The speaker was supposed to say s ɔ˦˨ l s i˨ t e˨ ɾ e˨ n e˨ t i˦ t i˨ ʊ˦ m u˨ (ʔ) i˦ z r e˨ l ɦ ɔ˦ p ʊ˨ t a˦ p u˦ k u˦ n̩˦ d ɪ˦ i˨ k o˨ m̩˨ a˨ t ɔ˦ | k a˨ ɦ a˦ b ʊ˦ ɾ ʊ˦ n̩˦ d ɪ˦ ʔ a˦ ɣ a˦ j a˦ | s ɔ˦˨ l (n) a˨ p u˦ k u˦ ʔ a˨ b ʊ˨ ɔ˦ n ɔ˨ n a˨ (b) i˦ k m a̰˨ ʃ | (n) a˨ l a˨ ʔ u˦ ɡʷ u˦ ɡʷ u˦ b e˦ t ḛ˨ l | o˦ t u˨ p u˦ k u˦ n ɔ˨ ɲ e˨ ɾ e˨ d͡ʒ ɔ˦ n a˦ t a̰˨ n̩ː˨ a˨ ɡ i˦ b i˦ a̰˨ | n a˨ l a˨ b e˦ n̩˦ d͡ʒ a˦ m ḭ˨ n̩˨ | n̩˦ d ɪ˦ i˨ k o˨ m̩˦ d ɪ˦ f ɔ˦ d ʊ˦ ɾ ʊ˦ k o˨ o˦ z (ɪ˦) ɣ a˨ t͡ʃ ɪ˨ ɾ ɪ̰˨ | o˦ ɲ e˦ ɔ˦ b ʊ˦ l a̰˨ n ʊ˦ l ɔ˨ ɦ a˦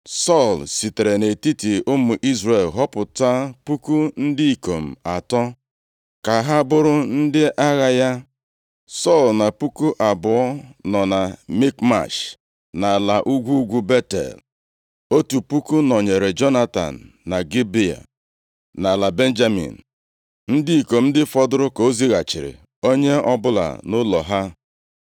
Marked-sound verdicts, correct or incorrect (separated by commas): correct, correct, incorrect, correct, incorrect